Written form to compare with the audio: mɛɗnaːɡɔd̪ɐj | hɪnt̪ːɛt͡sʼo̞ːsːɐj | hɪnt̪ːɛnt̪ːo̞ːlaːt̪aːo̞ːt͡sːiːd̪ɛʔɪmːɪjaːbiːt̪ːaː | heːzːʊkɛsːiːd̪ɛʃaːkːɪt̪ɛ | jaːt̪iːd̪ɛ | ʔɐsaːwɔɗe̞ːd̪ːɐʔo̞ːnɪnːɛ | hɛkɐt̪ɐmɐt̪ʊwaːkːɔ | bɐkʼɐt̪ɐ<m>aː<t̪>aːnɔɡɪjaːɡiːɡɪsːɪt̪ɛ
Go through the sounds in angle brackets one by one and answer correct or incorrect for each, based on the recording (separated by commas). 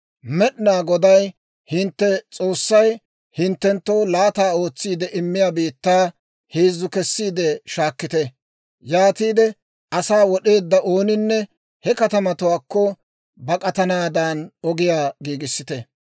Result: incorrect, incorrect